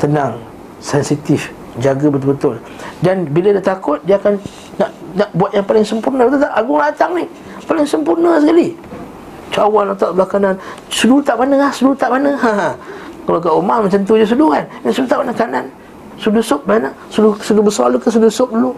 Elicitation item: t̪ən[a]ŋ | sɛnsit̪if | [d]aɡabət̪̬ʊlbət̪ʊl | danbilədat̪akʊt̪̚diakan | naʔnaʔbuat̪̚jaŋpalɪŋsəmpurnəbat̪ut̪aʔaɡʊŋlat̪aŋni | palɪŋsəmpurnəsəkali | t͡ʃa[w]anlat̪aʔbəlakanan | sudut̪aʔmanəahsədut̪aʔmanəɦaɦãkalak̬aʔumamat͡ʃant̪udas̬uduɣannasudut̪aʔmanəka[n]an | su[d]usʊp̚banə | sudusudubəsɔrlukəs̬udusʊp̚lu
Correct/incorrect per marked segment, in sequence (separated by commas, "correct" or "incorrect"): correct, incorrect, correct, correct, correct